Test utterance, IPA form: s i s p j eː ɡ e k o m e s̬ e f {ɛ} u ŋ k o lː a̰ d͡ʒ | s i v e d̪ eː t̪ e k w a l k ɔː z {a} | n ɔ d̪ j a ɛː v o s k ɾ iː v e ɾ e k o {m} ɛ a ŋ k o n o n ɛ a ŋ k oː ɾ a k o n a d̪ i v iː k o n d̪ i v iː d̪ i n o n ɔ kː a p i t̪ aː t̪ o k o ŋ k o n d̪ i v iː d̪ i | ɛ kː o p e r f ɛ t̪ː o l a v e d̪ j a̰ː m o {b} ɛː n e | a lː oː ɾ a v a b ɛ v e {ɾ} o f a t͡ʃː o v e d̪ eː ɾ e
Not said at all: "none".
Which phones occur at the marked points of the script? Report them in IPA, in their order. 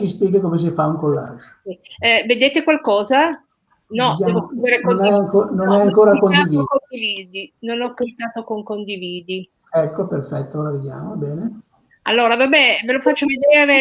a, a, n, b, l

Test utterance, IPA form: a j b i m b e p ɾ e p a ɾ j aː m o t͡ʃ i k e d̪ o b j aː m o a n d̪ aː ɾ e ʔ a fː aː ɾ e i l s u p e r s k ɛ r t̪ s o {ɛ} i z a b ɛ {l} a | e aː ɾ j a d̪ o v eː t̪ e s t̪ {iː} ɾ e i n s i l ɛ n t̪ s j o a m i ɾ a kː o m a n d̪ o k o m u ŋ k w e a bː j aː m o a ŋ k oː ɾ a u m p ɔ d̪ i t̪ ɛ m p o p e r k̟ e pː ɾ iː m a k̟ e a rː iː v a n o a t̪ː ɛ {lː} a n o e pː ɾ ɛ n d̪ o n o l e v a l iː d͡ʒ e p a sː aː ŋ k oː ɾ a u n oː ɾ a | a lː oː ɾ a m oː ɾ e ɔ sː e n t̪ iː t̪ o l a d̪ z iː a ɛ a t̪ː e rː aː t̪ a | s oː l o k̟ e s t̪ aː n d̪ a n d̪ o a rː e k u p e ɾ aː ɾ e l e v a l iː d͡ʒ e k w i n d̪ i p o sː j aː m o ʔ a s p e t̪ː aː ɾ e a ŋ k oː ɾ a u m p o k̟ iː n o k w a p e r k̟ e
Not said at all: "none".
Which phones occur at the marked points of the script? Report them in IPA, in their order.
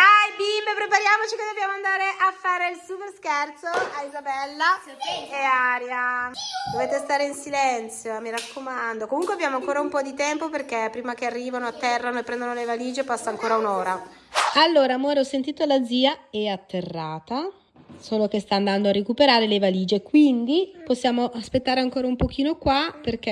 a, lː, aː, rː

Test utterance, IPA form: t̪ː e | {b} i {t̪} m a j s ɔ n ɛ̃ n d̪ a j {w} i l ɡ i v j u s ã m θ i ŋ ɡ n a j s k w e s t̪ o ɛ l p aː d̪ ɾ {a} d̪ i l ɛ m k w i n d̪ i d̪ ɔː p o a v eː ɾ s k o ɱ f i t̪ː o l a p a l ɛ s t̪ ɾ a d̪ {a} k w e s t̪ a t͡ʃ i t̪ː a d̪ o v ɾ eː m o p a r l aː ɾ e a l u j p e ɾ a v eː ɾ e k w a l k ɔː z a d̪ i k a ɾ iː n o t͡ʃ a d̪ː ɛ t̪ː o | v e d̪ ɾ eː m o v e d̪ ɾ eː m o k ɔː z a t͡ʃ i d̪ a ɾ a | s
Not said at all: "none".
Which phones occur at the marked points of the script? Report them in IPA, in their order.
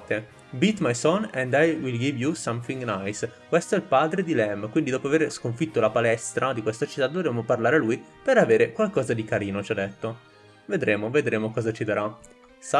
b, t̪, w, e, i

